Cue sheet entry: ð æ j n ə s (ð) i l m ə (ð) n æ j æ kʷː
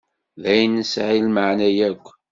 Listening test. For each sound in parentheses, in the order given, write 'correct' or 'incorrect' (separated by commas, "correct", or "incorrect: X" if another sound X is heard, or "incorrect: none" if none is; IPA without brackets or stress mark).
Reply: incorrect: ʕ, incorrect: ʕ